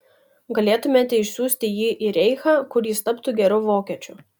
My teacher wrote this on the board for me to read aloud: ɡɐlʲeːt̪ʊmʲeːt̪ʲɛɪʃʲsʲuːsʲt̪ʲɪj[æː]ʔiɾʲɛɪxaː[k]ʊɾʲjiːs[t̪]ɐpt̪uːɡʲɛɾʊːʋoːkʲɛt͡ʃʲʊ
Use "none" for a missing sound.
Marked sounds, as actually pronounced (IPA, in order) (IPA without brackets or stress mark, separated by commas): iː, k, t̪